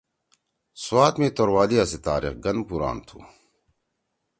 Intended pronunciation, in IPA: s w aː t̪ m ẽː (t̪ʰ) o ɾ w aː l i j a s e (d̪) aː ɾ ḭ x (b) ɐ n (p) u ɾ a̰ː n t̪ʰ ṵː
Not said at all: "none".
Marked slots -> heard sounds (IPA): t̪, t̪, ɡ, p

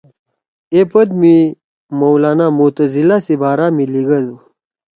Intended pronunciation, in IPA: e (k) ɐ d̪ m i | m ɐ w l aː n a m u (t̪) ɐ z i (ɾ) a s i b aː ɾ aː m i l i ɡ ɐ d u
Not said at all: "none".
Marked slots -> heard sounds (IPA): p, t̪, l

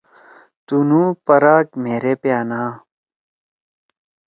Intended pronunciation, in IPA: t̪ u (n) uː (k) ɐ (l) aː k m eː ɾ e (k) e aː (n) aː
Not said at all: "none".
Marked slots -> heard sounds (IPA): n, p, ɾ, p, n

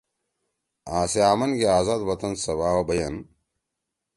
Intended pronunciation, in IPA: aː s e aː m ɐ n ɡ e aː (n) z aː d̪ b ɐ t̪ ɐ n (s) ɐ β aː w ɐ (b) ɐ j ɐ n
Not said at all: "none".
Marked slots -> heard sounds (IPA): none, s, b

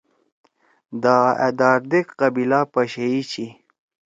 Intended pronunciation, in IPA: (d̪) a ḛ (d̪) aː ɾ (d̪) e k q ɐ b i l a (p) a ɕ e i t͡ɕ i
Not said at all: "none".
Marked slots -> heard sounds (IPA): d̪, d̪, d̪, p

